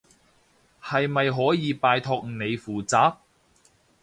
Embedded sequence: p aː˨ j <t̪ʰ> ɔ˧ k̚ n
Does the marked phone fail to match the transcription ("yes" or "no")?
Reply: no